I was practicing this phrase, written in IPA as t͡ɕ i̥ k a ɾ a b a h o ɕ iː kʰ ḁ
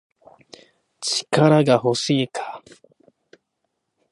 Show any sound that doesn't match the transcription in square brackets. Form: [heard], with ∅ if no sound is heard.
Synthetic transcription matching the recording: t͡ɕ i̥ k a ɾ a [ɡ] a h o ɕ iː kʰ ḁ